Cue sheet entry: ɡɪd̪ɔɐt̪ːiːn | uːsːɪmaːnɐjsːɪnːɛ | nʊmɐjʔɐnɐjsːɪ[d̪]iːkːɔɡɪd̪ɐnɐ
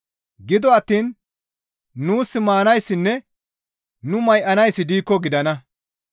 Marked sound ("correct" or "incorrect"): correct